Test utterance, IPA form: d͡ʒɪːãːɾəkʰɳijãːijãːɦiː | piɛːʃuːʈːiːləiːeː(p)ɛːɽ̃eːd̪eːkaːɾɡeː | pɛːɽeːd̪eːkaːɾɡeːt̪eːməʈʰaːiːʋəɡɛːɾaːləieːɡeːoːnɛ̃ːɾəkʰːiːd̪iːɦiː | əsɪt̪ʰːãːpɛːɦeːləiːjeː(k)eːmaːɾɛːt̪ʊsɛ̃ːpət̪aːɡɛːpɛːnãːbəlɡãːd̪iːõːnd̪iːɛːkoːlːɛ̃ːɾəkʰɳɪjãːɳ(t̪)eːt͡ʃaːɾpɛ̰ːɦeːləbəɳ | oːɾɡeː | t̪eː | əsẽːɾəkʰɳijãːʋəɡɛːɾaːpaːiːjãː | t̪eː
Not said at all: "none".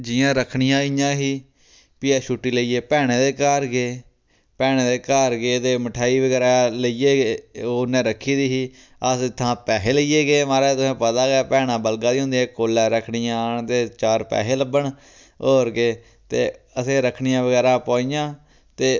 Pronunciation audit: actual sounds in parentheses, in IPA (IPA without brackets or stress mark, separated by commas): p, ɡ, t̪